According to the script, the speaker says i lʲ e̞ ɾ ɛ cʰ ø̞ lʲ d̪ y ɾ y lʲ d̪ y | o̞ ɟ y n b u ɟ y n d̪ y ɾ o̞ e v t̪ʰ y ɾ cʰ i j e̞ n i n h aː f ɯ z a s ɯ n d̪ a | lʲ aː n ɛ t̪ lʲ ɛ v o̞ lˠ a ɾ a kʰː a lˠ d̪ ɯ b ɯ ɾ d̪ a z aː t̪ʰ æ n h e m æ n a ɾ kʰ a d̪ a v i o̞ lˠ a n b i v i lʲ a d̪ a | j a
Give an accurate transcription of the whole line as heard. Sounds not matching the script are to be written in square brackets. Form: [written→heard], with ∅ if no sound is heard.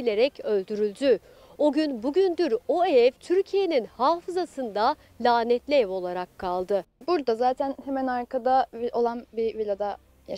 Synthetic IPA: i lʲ e̞ ɾ ɛ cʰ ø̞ lʲ d̪ y ɾ y lʲ d̪ y | o̞ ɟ y n b u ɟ y n d̪ y ɾ o̞ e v t̪ʰ y ɾ cʰ i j e̞ n i n h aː f ɯ z a s ɯ n d̪ a | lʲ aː n ɛ t̪ lʲ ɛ v o̞ lˠ a ɾ a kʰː a lˠ d̪ ɯ b [ɯ→u] ɾ d̪ a z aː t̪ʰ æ n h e m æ n a ɾ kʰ a d̪ a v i o̞ lˠ a n b i v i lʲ a d̪ a | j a